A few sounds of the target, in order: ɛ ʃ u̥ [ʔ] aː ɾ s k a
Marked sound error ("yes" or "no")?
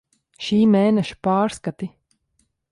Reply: yes